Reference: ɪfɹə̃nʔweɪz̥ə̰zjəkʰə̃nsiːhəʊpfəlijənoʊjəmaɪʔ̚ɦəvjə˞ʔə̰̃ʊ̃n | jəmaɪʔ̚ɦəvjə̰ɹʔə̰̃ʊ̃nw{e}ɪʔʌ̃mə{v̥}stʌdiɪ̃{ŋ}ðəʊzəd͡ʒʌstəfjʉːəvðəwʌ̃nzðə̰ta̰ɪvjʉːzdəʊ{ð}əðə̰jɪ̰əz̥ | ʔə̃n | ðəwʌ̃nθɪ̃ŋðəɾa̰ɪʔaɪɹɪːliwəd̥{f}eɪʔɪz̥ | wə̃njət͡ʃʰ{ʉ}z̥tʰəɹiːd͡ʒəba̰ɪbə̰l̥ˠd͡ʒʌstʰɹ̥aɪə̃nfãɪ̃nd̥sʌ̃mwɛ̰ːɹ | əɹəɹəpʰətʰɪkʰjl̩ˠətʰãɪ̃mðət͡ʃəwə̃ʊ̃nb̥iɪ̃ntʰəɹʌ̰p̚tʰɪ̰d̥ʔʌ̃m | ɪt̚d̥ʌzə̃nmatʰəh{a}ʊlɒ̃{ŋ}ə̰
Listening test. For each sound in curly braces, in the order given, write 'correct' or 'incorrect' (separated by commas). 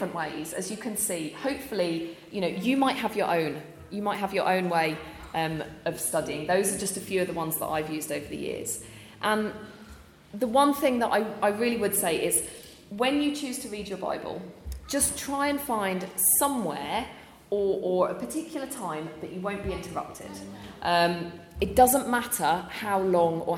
correct, correct, correct, incorrect, incorrect, incorrect, correct, correct